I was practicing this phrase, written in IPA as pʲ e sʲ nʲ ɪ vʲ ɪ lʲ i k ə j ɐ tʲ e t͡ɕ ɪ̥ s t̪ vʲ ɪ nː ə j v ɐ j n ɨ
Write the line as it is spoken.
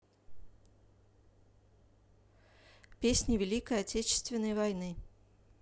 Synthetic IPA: pʲ e sʲ nʲ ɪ vʲ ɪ lʲ i k ə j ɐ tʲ e t͡ɕ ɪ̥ s t̪ vʲ ɪ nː ə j v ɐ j n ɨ